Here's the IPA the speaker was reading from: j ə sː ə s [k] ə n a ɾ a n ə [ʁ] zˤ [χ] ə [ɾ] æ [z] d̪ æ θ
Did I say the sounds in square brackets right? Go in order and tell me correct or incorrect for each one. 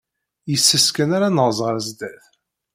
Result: correct, correct, incorrect: ʁ, correct, correct

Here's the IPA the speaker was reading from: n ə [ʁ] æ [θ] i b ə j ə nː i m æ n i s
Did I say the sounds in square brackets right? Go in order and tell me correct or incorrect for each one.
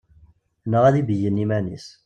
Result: correct, incorrect: ð

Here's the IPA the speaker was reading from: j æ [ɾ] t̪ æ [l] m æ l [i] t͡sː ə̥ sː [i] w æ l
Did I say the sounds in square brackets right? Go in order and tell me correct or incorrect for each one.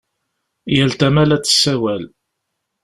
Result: incorrect: l, incorrect: none, incorrect: æ, incorrect: æ

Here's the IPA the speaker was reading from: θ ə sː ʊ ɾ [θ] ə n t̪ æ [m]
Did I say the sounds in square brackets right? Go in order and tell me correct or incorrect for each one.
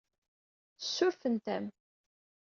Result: incorrect: f, correct

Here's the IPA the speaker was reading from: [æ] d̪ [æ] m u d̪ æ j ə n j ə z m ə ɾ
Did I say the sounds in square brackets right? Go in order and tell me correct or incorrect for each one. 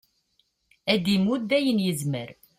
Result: correct, incorrect: i

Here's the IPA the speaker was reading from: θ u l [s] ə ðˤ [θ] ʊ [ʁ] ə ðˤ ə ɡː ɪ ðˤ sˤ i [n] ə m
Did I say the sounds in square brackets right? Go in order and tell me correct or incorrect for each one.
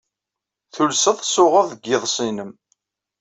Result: correct, incorrect: s, correct, correct

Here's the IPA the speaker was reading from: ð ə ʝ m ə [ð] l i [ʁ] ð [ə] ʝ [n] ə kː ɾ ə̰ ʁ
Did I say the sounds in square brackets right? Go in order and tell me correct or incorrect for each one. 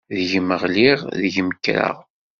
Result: incorrect: ʁ, correct, correct, incorrect: m

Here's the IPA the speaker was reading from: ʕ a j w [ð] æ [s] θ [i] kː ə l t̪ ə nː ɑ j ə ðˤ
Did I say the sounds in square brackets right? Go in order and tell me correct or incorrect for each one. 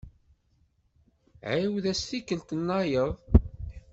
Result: correct, correct, correct

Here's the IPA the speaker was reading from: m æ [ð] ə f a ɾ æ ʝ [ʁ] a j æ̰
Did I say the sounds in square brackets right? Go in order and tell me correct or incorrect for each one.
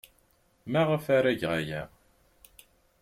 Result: incorrect: ʁ, correct

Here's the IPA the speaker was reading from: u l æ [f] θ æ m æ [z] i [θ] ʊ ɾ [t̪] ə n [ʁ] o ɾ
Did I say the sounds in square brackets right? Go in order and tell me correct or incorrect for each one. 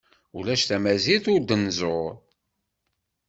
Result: incorrect: ʃ, correct, correct, incorrect: d̪, incorrect: z

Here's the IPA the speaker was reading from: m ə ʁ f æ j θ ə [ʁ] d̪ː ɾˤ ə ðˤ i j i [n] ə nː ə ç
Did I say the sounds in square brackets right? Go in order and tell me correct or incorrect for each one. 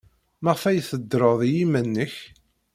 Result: incorrect: none, incorrect: m

